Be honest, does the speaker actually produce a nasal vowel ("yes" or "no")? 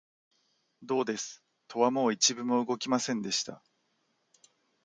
yes